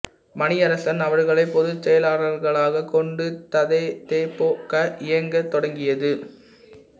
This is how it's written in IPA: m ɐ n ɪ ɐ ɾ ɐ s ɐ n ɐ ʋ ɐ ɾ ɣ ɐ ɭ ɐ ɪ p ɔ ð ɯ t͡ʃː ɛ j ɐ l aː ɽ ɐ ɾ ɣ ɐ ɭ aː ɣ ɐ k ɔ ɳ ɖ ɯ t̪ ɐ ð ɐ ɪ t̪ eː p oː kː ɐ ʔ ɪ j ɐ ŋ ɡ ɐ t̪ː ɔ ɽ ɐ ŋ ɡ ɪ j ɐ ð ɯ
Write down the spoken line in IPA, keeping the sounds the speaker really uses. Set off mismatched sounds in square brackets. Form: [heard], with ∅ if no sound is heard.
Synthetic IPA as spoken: m ɐ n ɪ ɐ ɾ ɐ s ɐ n ɐ ʋ ɐ ɾ ɣ ɐ ɭ ɐ ɪ p ɔ ð ɯ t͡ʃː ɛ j ɐ l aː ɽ ɐ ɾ ɣ ɐ ɭ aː ɣ ɐ k ɔ ɳ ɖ ɯ t̪ ɐ ð ɐ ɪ t̪ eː p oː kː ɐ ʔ ɪ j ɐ ŋ ɡ ɐ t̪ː ɔ ɽ ɐ ŋ ɡ ɪ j ɐ ð ɯ